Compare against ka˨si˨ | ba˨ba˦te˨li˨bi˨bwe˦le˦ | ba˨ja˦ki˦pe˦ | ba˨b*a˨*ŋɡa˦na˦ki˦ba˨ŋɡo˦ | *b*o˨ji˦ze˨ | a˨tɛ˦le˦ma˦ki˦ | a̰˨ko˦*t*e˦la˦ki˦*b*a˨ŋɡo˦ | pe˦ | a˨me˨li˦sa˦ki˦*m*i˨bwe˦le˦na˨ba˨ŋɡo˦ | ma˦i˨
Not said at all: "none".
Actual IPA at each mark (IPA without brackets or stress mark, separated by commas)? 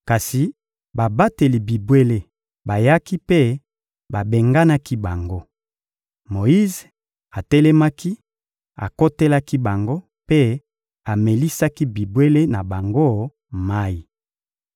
e˨, m, t, b, b